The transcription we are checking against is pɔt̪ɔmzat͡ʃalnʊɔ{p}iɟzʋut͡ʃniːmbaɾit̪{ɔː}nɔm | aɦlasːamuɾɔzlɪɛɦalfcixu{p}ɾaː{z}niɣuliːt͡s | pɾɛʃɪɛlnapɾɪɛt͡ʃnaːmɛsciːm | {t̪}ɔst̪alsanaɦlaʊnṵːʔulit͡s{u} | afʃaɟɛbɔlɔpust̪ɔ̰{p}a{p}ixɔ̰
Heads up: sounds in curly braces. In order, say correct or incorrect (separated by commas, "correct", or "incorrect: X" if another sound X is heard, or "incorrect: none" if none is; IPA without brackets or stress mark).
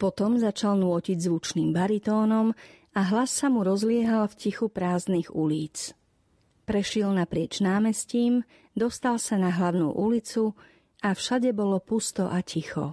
incorrect: c, correct, correct, correct, incorrect: d̪, correct, incorrect: ʔ, incorrect: c